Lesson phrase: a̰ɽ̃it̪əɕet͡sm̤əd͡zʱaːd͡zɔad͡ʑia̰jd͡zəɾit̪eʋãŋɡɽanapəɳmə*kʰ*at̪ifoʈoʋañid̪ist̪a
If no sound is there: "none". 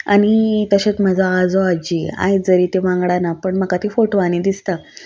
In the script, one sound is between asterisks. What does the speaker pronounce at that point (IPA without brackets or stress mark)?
k